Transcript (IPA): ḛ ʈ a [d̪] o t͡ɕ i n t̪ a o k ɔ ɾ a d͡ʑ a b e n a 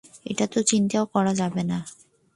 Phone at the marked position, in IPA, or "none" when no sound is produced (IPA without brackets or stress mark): t̪